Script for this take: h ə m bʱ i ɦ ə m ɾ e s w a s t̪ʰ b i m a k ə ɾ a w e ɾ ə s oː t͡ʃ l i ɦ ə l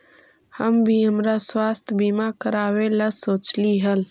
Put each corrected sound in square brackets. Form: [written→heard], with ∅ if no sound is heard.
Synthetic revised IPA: h ə m bʱ i ɦ ə m ɾ [e→a] s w a s t̪ʰ b i m a k ə ɾ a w e [ɾ→l] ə s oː t͡ʃ l i ɦ ə l

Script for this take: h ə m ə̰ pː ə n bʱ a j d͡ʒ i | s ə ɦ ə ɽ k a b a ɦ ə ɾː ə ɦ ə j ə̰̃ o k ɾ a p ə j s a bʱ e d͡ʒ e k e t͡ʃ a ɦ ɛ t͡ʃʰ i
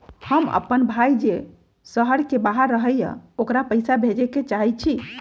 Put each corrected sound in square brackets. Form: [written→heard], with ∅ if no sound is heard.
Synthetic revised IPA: h ə m ə̰ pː ə n bʱ a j d͡ʒ [i→e] | s ə ɦ ə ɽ k [a→e] b a ɦ ə ɾː ə ɦ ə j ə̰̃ o k ɾ a p ə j s a bʱ e d͡ʒ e k e t͡ʃ a ɦ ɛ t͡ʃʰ i

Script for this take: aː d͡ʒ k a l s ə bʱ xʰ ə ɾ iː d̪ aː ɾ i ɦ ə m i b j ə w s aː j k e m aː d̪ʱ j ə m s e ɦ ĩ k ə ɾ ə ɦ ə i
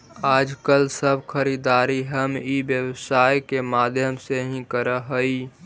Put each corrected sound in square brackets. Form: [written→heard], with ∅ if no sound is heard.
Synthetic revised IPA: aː d͡ʒ k [a→ə] l s ə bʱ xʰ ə ɾ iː d̪ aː ɾ i ɦ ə m i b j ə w s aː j k e m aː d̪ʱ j ə m s e ɦ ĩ k ə ɾ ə ɦ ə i

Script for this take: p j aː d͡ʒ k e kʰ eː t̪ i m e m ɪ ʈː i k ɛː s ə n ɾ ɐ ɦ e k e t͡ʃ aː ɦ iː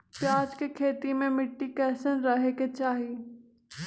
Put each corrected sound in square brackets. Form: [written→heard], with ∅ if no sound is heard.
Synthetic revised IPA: p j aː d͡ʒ k e kʰ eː t̪ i m [e→ẽ] m ɪ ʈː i k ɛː s ə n ɾ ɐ ɦ e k e t͡ʃ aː ɦ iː

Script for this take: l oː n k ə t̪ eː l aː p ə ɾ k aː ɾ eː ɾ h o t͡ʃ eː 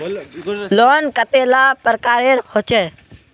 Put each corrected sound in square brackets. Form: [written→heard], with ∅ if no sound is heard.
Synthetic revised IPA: l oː n k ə t̪ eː l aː p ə ɾ k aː ɾ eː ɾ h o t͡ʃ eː

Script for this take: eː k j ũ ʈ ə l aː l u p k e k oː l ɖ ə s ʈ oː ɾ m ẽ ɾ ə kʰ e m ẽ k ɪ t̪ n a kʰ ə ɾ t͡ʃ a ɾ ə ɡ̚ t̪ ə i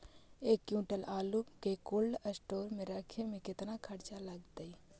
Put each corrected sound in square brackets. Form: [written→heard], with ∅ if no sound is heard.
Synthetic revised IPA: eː k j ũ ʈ ə l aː l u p k e k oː l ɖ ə s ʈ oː ɾ m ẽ ɾ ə kʰ e m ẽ k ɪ t̪ n a kʰ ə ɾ t͡ʃ a [ɾ→l] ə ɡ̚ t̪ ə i

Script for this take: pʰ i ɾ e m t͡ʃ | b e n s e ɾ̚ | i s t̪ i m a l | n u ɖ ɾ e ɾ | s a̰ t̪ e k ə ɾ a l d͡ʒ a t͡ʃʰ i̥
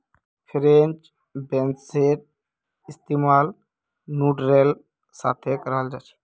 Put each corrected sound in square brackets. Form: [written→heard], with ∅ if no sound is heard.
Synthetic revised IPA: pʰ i ɾ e [m→n] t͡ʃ | b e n s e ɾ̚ | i s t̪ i m a l | n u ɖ ɾ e [ɾ→l] | s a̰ [t̪→t̪ʰ] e k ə ɾ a l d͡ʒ a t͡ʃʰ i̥

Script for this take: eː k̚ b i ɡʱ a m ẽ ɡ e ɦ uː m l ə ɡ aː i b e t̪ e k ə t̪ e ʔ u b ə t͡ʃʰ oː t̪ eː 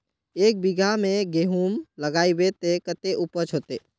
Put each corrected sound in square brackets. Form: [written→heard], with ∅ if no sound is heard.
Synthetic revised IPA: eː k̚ b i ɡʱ a m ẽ ɡ e ɦ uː m l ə ɡ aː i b e t̪ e k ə t̪ e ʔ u [b→p] ə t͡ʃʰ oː t̪ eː

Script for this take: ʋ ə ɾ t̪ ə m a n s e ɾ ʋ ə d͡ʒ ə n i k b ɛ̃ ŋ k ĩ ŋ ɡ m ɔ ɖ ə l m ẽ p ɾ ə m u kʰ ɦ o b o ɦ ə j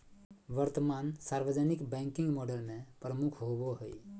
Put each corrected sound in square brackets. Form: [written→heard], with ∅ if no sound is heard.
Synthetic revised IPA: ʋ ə ɾ t̪ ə m a n s [e→a] ɾ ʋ ə d͡ʒ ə n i k b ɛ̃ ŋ k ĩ ŋ ɡ m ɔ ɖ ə l m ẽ p ɾ ə m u kʰ ɦ o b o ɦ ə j

